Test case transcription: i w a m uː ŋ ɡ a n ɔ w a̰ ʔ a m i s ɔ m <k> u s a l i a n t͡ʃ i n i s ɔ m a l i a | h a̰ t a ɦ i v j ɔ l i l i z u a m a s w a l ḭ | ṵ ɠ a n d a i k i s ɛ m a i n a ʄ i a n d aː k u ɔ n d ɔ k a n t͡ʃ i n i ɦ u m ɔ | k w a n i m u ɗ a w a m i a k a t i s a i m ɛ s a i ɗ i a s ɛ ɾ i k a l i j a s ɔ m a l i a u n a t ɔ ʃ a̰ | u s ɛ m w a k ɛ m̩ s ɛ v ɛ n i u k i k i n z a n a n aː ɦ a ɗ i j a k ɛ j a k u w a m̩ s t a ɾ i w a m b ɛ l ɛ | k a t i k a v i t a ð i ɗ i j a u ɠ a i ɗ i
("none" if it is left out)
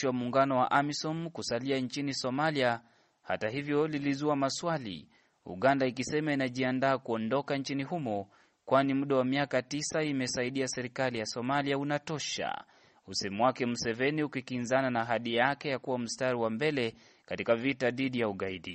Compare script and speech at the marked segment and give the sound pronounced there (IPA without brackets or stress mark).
k